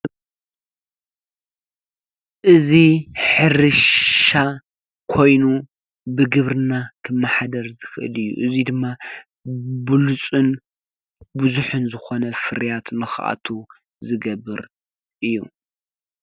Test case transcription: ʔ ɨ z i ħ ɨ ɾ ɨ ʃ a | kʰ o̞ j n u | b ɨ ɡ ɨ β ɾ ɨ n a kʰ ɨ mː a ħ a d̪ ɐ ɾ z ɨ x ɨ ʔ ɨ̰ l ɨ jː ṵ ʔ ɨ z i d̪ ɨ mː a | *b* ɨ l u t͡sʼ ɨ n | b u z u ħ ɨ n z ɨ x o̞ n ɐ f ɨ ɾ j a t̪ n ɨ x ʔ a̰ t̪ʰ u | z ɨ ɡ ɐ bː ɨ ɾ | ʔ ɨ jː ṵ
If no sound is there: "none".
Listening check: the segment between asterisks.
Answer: b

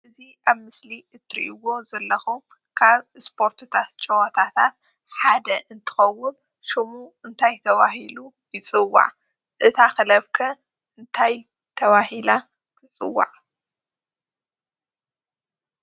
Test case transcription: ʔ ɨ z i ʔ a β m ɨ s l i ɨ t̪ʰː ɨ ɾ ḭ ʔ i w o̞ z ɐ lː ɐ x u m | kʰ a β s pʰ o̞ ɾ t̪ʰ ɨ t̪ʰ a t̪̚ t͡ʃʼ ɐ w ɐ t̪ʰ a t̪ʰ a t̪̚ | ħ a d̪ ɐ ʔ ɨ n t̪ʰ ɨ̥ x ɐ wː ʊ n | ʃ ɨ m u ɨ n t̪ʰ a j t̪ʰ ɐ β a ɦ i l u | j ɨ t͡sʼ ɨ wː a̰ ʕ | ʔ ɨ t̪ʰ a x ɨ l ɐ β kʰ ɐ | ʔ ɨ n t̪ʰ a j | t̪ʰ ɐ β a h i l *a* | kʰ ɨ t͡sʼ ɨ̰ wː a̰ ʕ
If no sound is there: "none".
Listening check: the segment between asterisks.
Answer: a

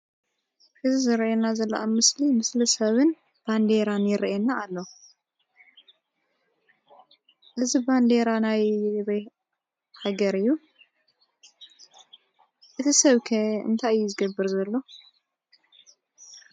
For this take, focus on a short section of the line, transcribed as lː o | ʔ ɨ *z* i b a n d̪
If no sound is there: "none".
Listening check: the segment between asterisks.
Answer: z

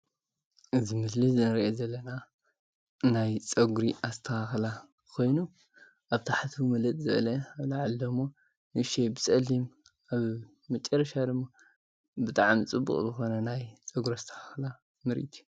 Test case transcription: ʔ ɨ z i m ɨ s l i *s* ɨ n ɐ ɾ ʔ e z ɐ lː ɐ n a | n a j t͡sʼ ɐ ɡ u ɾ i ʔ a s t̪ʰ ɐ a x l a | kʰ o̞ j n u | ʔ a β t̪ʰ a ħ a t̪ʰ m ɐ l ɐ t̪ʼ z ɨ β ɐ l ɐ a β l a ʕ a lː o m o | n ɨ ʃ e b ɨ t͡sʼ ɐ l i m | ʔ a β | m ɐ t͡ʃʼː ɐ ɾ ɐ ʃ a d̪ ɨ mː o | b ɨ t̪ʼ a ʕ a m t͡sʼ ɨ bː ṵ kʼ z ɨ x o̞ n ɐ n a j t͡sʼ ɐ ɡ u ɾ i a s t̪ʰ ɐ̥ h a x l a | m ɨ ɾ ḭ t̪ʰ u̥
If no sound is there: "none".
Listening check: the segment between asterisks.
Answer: z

